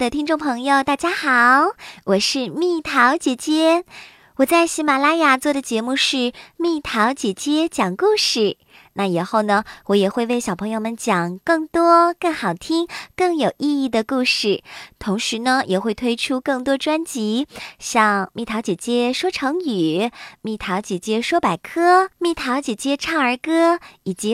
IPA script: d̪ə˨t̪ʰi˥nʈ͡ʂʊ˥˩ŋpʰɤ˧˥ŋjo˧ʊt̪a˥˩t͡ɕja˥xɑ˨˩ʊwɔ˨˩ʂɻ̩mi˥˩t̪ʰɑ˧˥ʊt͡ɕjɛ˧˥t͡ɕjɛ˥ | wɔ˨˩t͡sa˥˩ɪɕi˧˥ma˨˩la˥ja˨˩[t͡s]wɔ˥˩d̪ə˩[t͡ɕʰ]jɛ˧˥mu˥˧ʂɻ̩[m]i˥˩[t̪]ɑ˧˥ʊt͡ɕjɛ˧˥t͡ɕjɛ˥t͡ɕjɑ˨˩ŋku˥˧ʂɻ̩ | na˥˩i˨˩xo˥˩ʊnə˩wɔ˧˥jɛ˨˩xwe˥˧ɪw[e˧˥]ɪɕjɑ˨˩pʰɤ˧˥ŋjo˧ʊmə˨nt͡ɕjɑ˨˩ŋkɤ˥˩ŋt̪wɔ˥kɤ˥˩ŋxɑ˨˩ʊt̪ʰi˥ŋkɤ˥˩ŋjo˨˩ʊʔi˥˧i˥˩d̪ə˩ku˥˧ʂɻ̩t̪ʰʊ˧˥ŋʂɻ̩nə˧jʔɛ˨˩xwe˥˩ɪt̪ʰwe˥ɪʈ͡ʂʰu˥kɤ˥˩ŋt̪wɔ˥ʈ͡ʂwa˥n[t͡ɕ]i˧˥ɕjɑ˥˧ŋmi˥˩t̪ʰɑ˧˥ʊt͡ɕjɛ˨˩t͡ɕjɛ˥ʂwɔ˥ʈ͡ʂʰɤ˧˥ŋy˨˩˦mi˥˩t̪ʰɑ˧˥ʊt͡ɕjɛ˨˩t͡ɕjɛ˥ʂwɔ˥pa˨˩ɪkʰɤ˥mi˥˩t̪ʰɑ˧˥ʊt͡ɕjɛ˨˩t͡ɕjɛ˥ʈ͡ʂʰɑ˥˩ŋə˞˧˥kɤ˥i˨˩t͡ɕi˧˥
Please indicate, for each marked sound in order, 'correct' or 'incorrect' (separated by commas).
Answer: correct, incorrect, correct, incorrect, incorrect, correct